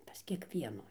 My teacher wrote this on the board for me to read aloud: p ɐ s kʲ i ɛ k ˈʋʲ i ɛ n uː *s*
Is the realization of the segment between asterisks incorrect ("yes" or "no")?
yes